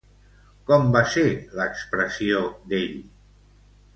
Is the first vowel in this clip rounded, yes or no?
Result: yes